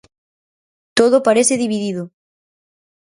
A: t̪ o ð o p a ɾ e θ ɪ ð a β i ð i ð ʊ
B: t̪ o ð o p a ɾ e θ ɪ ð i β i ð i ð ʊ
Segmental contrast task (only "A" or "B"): B